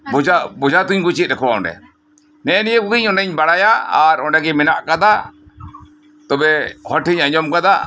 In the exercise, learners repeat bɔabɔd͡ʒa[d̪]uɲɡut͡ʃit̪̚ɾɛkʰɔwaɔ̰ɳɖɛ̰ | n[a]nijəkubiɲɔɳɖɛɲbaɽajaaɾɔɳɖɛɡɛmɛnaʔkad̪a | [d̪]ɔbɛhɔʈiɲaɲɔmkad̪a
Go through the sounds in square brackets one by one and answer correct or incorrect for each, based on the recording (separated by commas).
incorrect, incorrect, incorrect